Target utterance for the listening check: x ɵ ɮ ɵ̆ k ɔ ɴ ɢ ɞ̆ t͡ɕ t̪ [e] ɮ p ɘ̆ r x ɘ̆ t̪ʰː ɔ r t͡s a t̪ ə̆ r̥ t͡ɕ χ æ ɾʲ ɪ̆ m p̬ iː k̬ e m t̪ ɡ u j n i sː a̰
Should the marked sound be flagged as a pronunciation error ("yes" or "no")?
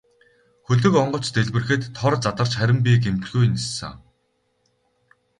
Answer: no